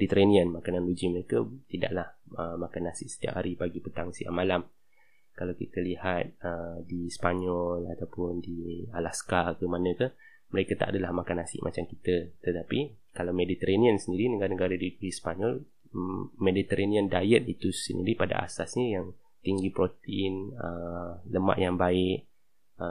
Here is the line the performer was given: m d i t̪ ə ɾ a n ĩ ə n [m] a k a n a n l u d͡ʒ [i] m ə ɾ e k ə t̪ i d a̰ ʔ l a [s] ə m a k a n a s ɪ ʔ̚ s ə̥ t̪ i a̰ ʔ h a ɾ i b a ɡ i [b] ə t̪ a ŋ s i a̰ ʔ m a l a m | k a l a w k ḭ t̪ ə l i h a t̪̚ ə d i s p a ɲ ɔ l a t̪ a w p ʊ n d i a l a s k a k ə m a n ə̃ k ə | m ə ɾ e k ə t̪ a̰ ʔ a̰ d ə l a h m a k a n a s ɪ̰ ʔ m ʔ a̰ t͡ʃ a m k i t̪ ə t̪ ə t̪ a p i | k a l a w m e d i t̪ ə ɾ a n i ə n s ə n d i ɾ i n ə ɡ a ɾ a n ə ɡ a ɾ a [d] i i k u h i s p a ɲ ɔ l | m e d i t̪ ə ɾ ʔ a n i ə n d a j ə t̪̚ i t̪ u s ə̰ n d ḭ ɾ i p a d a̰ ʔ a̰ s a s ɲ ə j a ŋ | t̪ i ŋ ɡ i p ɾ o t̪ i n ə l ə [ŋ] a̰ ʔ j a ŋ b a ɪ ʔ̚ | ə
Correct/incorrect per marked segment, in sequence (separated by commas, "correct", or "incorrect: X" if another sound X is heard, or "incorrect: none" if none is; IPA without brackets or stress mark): correct, correct, incorrect: h, incorrect: p, correct, incorrect: m